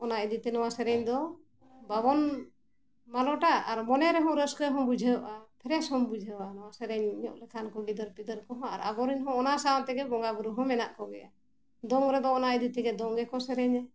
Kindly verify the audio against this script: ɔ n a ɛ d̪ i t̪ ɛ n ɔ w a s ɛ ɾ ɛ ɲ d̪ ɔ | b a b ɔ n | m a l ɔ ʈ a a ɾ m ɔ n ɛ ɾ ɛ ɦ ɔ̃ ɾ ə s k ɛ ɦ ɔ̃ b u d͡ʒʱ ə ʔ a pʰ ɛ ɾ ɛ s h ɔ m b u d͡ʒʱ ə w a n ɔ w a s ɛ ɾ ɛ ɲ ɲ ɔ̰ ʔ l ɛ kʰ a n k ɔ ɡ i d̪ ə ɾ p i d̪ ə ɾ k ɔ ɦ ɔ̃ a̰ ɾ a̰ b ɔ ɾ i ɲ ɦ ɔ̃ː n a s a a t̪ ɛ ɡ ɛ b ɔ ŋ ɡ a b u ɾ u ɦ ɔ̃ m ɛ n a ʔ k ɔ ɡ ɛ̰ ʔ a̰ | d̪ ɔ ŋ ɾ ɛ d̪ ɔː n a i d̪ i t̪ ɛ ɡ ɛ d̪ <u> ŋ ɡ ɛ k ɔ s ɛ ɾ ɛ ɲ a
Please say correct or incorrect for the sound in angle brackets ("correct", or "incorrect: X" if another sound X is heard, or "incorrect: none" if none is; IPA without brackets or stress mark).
incorrect: ɔ